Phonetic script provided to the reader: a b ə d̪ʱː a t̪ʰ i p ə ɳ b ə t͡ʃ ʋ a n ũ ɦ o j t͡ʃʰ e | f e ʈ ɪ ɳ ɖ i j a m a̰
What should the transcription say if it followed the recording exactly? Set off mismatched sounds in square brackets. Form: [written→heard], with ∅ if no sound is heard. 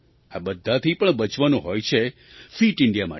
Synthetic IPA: a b ə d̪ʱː a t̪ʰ i p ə ɳ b ə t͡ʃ ʋ a n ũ ɦ o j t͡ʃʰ e | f [e→i] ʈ ɪ ɳ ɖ i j a m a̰